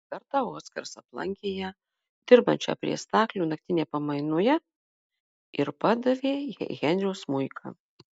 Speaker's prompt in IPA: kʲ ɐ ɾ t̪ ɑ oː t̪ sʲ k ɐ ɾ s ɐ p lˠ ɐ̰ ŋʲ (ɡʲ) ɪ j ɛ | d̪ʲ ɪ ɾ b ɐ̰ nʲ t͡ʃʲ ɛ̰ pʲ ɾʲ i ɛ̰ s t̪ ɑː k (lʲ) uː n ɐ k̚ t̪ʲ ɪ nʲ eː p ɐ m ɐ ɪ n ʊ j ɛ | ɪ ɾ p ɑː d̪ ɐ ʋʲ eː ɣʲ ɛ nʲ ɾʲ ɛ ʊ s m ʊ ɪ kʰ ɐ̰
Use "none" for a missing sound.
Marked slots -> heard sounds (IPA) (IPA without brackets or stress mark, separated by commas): kʲ, lʲ